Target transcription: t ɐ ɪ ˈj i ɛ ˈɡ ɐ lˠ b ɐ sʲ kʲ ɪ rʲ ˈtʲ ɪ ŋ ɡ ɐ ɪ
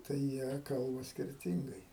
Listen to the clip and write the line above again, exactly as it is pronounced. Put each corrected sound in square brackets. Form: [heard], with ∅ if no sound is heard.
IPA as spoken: t ɐ ɪ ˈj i ɛ [ˈk] ɐ lˠ b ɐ sʲ kʲ ɪ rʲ ˈtʲ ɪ ŋ ɡ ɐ ɪ